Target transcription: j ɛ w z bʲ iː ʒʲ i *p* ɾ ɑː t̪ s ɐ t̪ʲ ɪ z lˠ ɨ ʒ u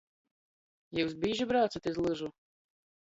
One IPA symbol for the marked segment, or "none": b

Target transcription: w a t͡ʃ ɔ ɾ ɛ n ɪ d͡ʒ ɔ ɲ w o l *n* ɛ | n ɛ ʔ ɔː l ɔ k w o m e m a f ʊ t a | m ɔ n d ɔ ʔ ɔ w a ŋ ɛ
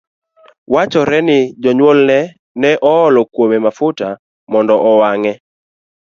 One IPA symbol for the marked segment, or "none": n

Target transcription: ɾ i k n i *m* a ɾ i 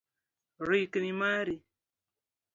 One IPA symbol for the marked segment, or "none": m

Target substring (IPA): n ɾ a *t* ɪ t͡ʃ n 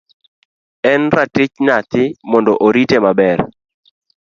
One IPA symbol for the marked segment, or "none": t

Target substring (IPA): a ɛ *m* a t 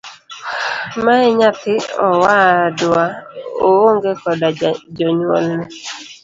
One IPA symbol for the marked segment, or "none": ɲ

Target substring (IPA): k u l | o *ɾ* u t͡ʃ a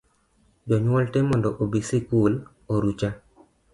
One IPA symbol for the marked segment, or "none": ɾ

